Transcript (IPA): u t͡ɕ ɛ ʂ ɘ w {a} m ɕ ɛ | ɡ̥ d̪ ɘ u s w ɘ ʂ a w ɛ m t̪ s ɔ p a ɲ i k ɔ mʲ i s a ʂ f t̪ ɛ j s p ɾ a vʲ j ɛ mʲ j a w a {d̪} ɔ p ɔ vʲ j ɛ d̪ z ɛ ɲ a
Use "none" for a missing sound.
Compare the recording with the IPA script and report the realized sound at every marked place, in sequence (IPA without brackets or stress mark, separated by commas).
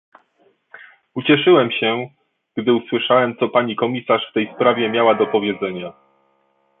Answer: ɛ, d̪